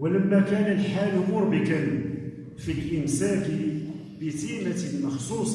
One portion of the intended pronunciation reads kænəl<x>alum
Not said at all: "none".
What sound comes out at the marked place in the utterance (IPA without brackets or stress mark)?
ħ